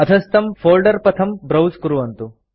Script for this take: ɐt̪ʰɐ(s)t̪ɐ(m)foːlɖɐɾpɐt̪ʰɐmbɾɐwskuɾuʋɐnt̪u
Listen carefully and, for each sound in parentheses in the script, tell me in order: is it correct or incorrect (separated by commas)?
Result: correct, correct